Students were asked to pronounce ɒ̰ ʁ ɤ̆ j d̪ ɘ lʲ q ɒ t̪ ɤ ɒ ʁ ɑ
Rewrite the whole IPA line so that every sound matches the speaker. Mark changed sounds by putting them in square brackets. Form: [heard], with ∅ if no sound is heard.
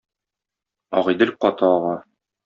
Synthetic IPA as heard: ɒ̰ ʁ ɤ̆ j d̪ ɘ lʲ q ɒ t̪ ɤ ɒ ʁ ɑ